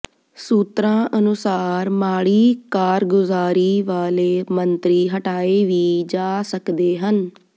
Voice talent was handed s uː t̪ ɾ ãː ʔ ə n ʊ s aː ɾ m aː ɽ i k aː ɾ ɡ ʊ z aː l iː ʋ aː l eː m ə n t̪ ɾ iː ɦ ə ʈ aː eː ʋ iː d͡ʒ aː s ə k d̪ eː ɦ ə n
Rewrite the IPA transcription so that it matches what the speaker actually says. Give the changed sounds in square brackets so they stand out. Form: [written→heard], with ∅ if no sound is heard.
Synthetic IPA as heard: s uː t̪ ɾ ãː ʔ ə n ʊ s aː ɾ m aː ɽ [i→iː] k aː ɾ ɡ ʊ z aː [l→ɾ] iː ʋ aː l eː m ə n t̪ ɾ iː ɦ ə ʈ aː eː ʋ iː d͡ʒ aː s ə k d̪ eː ɦ ə n